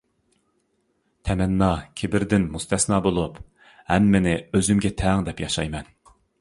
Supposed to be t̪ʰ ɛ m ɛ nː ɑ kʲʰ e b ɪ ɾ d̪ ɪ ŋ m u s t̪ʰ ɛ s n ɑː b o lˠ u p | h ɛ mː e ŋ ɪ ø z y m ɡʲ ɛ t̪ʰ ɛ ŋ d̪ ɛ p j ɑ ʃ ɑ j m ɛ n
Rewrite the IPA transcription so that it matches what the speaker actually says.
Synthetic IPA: t̪ʰ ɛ m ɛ nː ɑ kʲʰ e b ɪ ɾ d̪ ɪ n m u s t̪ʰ ɛ s n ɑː b o lˠ u p | h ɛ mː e n ɪ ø z y m ɡʲ ɛ t̪ʰ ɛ ŋ d̪ ɛ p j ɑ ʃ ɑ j m ɛ n